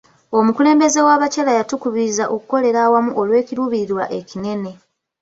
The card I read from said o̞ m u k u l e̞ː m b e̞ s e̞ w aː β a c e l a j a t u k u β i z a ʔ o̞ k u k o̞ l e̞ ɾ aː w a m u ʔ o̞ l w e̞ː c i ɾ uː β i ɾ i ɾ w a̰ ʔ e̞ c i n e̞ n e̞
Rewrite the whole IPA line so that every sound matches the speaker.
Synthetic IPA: o̞ m u k u l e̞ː m b e̞ z e̞ w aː β a c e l a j a t u k u β i z a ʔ o̞ k u k o̞ l e̞ ɾ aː w a m u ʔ o̞ l w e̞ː c i ɾ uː β i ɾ i ɾ w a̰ ʔ e̞ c i n e̞ n e̞